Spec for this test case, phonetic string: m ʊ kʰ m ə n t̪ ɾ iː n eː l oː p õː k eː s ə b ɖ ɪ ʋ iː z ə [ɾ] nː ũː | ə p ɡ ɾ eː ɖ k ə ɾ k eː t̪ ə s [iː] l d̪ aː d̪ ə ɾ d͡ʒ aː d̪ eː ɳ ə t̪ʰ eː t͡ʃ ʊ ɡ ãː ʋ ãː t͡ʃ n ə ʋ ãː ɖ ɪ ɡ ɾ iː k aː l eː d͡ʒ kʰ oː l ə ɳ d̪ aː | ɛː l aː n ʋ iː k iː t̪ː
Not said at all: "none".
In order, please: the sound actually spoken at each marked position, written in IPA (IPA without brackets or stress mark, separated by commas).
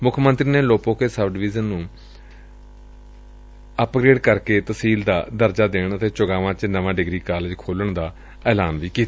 none, iː